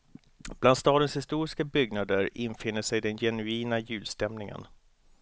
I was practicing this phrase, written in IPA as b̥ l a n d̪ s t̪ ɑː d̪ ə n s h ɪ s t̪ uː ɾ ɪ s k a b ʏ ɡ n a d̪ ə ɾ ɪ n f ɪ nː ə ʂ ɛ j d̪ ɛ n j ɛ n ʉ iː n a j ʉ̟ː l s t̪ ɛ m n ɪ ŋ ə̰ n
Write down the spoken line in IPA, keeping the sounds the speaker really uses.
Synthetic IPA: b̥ l a n d̪ s t̪ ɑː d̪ ə n s h ɪ s t̪ uː ɾ ɪ s k a b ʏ ɡ n a d̪ ə ɾ ɪ n f ɪ nː ə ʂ ɛ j d̪ ɛ n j ɛ n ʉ iː n a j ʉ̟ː l s t̪ ɛ m n ɪ ŋ ə̰ n